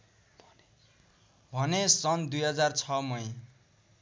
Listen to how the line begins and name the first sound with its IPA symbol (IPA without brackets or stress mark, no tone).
bʱ